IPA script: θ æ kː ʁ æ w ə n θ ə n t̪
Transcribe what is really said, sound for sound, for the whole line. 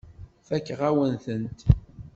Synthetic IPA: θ æ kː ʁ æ w ə n θ ə n t̪

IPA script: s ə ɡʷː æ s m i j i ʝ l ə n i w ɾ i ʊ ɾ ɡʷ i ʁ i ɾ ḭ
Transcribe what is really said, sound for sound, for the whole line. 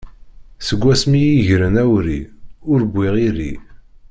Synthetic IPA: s ə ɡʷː æ s m i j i ʝ ɾ ə n æ w ɾ i ʊ ɾ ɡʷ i ʁ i ɾ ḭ

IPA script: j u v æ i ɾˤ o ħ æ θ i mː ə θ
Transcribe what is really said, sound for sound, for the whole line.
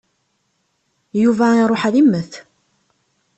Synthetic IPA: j u v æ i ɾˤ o ħ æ ð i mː ə θ

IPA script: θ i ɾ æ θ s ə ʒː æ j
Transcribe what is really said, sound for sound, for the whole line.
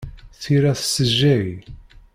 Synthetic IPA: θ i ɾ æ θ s ə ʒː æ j

